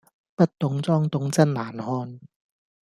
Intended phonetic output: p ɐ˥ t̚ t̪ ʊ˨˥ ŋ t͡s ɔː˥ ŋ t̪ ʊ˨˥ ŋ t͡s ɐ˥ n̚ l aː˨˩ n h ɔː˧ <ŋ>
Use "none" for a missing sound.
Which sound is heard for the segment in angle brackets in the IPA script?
n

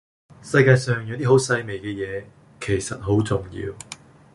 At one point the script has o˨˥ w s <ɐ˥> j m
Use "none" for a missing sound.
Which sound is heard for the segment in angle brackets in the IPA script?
ɐ˧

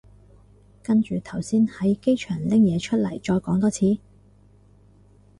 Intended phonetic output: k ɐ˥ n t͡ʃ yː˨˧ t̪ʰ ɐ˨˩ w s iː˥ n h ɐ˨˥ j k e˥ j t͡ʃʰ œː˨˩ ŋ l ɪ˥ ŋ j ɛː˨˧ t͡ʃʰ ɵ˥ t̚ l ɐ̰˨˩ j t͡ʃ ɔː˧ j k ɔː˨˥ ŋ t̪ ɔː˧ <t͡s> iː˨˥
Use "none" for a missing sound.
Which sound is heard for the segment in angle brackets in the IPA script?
t͡sʰ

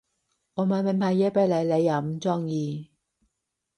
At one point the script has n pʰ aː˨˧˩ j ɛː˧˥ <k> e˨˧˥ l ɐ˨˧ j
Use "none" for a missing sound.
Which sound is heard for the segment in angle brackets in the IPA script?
p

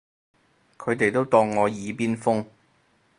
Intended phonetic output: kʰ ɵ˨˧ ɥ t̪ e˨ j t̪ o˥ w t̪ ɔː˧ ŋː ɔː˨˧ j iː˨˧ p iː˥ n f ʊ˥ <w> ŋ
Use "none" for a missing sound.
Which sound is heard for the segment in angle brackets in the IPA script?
none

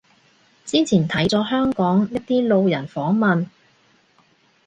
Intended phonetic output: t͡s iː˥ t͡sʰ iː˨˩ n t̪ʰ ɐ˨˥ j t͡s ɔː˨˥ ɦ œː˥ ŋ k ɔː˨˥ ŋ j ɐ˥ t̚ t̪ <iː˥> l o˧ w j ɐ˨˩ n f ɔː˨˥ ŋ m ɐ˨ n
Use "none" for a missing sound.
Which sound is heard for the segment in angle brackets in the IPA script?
iː˥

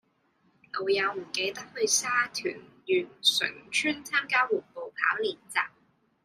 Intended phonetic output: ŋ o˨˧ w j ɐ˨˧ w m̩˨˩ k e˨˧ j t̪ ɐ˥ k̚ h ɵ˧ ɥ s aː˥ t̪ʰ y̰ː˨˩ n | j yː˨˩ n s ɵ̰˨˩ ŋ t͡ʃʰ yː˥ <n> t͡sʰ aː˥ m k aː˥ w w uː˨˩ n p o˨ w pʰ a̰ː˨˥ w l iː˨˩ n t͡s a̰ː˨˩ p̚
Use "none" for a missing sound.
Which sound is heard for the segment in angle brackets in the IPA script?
n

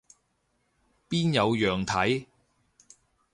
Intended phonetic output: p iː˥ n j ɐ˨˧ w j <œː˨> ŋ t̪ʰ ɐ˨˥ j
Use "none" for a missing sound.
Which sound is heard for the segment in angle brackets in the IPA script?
œː˨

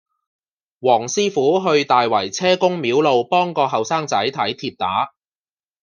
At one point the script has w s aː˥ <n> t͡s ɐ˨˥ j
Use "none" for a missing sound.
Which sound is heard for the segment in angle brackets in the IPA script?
ŋ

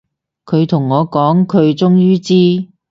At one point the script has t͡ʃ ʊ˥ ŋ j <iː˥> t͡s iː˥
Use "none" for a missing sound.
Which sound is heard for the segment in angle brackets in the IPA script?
yː˥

